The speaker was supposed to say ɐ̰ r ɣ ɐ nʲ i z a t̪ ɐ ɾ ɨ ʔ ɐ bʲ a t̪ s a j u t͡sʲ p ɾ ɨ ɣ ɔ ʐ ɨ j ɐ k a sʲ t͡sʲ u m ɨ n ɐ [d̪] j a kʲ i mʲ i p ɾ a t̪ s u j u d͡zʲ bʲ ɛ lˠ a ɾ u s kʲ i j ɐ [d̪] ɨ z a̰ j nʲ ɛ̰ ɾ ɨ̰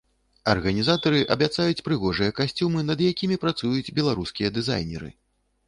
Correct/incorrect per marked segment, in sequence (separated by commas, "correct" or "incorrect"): correct, correct